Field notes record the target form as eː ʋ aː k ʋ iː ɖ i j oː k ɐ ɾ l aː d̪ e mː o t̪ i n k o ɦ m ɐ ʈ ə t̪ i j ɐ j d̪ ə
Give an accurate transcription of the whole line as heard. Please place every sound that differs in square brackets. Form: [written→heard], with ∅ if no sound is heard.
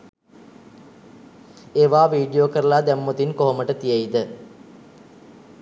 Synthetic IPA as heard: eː ʋ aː [k→∅] ʋ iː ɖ i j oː k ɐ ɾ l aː d̪ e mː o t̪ i n k o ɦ m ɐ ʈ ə t̪ i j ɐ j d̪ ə